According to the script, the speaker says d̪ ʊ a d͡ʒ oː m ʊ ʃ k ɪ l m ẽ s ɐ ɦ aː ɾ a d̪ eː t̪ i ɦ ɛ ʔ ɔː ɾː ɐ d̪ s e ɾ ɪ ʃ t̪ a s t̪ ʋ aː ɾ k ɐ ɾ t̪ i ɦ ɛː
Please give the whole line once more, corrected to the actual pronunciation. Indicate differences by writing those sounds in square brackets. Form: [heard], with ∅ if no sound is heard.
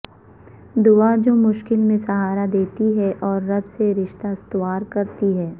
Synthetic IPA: d̪ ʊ a d͡ʒ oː m ʊ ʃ k ɪ l m ẽ s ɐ ɦ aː ɾ a d̪ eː t̪ i ɦ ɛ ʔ ɔː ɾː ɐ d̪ s e ɾ ɪ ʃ t̪ a s t̪ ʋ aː ɾ k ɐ ɾ t̪ i ɦ ɛː